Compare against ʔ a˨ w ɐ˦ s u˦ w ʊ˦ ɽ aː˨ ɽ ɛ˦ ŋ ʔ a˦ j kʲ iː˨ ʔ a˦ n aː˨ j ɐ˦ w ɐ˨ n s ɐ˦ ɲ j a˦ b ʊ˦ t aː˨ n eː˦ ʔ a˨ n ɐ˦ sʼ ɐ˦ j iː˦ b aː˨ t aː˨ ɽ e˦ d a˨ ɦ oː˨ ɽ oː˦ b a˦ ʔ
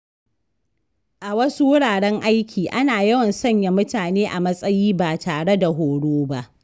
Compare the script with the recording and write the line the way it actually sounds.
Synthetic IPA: ʔ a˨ w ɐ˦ s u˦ w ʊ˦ ɽ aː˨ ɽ ɛ˦ ŋ ʔ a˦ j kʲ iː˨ ʔ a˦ n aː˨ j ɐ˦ w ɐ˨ n s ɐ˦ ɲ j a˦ m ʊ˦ t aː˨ n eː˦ ʔ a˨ m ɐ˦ sʼ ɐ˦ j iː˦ b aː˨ t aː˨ ɽ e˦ d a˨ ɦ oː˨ ɽ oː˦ b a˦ ʔ